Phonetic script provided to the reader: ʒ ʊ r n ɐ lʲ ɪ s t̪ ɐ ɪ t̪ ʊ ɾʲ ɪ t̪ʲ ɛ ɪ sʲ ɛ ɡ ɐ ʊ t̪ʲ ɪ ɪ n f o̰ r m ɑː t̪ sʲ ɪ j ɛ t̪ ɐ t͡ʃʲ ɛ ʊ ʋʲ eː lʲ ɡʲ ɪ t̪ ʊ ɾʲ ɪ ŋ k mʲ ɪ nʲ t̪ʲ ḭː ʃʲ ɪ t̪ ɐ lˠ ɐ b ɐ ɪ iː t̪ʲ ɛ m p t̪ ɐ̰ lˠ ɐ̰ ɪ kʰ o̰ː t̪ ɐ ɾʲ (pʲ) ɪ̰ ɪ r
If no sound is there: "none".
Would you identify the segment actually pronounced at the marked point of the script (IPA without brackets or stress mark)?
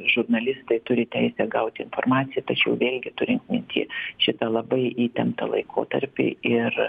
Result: pʲ